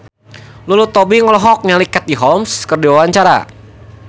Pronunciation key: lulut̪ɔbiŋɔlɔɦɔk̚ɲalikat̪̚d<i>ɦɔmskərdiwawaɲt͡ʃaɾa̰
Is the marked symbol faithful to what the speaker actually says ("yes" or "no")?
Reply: yes